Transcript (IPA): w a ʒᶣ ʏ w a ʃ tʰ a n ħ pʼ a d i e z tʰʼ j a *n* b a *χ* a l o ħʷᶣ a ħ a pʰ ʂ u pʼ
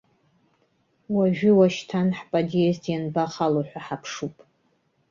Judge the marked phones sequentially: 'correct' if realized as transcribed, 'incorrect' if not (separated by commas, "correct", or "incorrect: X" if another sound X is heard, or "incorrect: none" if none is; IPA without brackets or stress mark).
correct, correct